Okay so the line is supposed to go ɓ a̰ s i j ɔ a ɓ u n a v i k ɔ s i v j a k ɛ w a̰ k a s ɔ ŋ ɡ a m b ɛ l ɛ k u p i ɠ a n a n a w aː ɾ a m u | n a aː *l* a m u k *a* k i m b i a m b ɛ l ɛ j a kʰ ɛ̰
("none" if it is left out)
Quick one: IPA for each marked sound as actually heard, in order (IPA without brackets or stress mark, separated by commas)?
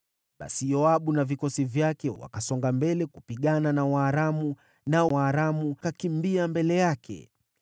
ɾ, a